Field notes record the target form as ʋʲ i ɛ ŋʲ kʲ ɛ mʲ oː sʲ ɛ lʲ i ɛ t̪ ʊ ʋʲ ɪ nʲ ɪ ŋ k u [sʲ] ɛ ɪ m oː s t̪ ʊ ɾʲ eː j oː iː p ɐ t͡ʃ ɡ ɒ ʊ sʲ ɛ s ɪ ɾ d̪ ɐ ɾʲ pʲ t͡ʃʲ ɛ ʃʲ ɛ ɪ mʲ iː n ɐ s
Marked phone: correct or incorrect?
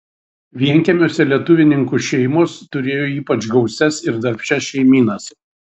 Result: incorrect